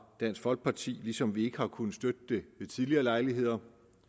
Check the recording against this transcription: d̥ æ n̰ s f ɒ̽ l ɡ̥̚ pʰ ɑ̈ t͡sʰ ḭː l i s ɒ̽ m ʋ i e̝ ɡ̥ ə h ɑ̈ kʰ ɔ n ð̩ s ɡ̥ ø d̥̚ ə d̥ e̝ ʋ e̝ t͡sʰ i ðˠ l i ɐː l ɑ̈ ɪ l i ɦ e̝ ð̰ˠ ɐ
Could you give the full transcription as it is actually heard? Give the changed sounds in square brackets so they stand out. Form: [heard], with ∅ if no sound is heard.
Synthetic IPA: d̥ æ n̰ s f ɒ̽ l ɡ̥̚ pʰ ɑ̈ t͡sʰ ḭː l i s ɒ̽ m ʋ i e̝ ɡ̥ ə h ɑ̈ kʰ [u] n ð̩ s [d̥] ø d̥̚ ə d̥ e̝ ʋ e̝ t͡sʰ i ðˠ l i ɐː l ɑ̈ ɪ l i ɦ e̝ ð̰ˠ ɐ